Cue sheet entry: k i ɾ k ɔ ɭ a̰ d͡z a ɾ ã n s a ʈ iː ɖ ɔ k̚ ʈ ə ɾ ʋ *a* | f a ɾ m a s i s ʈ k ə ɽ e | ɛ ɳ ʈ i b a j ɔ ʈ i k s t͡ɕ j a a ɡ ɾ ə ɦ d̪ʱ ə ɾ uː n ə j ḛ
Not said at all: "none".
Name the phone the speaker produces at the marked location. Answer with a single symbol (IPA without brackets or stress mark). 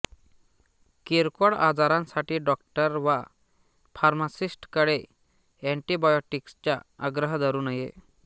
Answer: a